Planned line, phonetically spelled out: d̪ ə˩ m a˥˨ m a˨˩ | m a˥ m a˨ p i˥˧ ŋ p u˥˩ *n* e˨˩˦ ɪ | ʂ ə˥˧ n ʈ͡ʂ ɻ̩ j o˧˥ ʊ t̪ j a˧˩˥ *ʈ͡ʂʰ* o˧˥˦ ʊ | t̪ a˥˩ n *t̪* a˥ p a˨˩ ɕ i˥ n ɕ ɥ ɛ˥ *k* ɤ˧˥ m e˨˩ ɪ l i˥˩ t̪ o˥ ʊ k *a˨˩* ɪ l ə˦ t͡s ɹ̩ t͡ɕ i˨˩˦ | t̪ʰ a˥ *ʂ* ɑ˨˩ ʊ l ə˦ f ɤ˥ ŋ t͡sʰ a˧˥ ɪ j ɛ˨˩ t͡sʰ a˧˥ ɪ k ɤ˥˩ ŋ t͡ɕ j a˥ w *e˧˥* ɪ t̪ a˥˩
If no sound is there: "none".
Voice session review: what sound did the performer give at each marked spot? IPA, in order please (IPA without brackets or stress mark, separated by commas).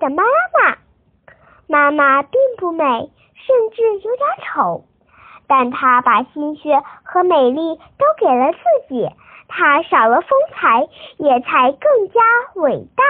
m, ʈ͡ʂʰ, t̪ʰ, x, e˨˩, ʂ, e˨˩